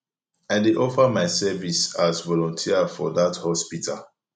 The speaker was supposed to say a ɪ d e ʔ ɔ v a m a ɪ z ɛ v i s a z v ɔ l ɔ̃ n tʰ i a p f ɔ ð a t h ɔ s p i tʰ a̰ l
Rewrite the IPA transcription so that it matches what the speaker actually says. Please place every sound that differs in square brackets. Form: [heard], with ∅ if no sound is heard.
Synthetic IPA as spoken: a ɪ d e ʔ ɔ [f] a m a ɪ [s] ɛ v i s a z v ɔ l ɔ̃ n tʰ i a [∅] f ɔ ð a t h ɔ s p i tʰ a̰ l